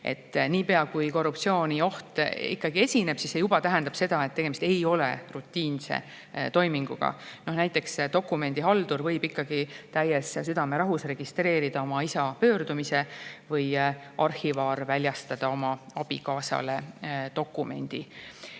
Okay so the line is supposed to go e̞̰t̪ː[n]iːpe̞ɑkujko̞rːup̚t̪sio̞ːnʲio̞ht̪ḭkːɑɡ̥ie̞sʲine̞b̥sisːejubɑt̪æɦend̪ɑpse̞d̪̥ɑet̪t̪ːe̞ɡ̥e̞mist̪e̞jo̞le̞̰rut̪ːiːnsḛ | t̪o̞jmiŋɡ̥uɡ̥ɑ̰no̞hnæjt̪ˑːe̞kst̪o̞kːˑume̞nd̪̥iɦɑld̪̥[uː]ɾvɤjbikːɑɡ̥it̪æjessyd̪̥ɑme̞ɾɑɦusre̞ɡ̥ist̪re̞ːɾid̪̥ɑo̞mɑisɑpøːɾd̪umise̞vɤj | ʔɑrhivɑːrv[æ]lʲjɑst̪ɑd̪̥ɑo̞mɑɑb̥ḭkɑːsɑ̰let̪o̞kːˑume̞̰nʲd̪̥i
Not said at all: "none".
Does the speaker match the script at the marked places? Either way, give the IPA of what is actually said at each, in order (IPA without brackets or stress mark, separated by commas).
n, u, æ